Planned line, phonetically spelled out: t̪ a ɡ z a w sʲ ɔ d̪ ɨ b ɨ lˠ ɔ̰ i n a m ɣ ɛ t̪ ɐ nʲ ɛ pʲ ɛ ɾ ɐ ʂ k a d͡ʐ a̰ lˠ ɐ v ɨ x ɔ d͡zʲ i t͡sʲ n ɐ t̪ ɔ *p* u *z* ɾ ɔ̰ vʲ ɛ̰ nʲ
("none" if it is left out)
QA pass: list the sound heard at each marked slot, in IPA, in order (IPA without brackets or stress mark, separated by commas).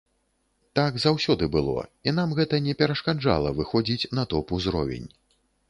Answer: p, z